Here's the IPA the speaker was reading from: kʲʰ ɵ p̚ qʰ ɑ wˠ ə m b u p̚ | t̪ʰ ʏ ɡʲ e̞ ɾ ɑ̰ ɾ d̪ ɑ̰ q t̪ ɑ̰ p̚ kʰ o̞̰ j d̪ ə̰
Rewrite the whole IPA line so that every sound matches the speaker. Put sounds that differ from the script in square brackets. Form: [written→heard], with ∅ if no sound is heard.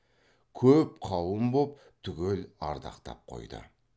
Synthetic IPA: kʲʰ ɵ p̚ qʰ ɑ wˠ ə m b [u→o] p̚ | t̪ʰ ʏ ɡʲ e̞ [ɾ→l] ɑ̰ ɾ d̪ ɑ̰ q t̪ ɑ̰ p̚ [kʰ→qʰ] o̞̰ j d̪ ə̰